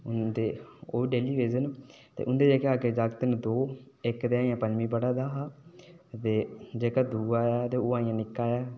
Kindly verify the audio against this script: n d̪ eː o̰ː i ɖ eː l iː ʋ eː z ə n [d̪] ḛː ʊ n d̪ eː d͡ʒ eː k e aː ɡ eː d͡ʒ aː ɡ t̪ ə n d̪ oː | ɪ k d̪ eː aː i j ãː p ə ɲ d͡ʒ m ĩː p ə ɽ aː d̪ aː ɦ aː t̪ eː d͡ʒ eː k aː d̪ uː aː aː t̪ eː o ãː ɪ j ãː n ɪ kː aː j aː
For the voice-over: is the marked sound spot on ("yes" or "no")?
no